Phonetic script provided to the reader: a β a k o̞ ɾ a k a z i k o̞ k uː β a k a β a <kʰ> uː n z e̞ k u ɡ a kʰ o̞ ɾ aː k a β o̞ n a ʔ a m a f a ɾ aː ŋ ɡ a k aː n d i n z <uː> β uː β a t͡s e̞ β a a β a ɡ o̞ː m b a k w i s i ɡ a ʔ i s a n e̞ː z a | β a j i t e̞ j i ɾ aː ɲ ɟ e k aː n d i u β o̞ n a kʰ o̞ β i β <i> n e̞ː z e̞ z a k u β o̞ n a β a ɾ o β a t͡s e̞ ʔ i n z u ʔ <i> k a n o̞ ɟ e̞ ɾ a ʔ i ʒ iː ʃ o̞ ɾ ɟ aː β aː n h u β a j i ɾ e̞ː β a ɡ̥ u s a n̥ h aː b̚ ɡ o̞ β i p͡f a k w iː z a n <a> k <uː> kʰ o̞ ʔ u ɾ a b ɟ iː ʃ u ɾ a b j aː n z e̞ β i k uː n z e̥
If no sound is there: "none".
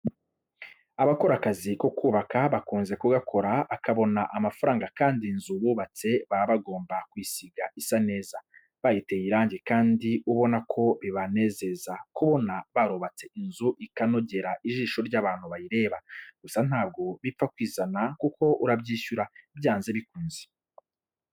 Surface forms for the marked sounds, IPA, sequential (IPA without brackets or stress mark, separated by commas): k, u, a, i, a, u